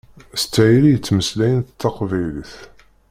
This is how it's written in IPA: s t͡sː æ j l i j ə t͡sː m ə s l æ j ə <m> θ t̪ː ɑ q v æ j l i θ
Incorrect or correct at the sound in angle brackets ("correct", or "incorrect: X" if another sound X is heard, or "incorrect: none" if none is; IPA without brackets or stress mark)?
incorrect: n